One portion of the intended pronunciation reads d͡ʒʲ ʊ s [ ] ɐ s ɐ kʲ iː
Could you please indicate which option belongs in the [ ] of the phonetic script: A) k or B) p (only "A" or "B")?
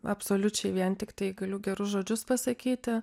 B